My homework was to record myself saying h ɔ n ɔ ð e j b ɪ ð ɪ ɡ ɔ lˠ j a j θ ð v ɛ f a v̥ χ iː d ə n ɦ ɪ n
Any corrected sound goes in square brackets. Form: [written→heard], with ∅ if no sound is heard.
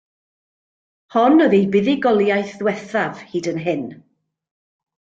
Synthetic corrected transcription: h ɔ n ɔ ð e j b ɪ ð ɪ ɡ ɔ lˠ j a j θ ð [v→w] ɛ [f→θ] a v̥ [χ→h] iː d ə n ɦ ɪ n